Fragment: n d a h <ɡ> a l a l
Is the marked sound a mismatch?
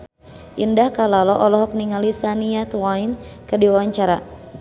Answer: yes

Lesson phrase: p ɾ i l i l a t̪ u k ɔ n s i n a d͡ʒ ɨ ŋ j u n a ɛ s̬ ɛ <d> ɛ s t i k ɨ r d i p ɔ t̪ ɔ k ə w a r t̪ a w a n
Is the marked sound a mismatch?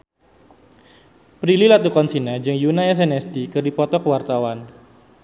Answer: yes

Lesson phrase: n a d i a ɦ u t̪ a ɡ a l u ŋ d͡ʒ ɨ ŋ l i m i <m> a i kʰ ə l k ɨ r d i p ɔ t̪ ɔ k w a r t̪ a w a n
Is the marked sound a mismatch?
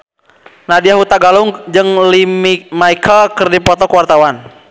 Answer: no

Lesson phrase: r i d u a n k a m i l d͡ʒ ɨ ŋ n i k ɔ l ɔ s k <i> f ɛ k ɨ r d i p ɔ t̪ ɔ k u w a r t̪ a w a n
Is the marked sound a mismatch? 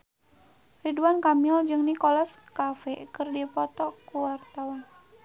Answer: yes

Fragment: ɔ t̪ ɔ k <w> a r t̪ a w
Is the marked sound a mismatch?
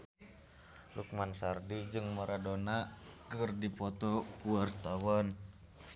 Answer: yes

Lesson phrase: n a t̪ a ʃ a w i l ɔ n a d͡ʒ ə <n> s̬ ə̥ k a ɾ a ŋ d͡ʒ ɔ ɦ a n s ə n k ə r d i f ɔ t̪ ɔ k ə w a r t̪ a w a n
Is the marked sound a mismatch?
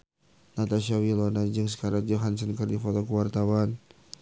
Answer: yes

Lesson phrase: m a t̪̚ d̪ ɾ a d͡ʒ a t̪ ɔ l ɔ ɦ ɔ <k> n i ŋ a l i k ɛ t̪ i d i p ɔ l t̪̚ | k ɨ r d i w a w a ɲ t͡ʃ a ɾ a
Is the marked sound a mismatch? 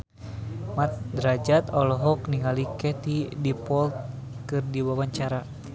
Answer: no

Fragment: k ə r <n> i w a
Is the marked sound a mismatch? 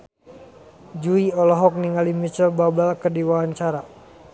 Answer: yes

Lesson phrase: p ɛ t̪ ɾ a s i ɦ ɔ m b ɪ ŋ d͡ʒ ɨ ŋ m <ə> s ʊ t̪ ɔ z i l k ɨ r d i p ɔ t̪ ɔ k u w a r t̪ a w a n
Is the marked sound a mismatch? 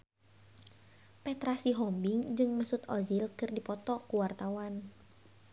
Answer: no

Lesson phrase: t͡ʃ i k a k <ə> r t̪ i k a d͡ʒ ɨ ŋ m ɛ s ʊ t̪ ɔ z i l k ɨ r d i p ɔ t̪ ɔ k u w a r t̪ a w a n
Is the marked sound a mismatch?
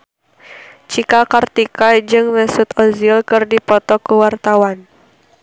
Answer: yes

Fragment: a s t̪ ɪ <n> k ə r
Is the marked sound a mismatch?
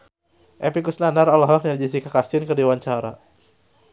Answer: no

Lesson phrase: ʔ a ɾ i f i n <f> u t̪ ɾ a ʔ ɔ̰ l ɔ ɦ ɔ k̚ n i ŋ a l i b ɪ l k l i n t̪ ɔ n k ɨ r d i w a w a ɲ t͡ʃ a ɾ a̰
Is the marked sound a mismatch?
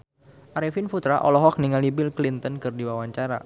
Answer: no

